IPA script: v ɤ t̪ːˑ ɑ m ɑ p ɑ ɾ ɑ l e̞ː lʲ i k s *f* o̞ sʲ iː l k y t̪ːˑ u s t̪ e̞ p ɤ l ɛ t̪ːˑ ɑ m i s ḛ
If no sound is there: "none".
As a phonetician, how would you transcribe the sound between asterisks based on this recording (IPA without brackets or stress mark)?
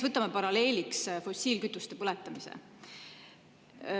f